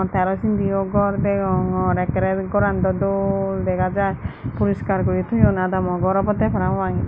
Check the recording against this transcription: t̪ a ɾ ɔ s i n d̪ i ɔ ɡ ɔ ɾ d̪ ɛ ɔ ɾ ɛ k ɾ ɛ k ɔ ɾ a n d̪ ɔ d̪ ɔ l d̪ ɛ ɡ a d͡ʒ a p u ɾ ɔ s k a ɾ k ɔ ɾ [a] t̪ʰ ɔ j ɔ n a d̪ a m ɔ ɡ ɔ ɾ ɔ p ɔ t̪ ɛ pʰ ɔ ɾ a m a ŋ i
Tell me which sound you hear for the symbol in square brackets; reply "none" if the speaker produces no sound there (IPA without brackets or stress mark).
i